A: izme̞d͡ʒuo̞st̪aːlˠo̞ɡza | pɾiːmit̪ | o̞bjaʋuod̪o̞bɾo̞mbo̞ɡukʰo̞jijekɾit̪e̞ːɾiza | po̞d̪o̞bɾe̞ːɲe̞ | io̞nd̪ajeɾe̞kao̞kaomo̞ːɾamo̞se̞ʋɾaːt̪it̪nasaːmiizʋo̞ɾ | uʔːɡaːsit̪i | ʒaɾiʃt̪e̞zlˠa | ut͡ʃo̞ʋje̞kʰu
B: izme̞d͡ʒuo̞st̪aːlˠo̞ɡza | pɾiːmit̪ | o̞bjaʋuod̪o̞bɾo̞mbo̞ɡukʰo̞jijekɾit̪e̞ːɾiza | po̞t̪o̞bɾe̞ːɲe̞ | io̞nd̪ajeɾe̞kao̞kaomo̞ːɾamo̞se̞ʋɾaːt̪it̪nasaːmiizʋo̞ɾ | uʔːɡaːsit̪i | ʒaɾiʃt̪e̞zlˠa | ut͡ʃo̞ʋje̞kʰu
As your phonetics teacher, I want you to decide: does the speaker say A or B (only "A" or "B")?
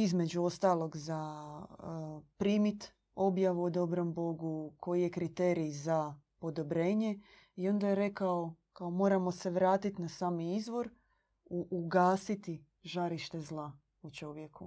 A